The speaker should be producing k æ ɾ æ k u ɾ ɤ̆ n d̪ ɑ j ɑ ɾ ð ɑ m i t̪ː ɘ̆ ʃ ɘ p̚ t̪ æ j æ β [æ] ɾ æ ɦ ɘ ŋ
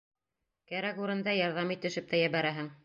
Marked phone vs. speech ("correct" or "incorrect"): correct